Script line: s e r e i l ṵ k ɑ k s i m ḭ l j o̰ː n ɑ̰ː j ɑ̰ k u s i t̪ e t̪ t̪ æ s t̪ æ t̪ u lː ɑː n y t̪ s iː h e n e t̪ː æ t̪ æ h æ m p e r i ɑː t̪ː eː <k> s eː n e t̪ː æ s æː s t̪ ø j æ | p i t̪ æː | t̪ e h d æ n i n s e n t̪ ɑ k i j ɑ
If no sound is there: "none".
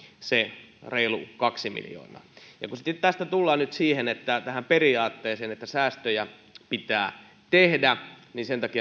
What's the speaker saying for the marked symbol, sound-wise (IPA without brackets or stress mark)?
none